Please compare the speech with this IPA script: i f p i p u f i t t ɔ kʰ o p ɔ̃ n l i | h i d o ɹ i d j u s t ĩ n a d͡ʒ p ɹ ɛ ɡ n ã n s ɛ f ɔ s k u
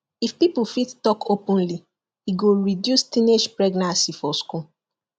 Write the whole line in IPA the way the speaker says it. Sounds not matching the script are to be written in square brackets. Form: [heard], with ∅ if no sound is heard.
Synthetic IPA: i f p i p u f i t t ɔ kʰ o p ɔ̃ n l i | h i [ɡ] o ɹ i d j u s t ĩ n [e] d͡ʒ p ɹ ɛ ɡ n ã n s [i] f ɔ s k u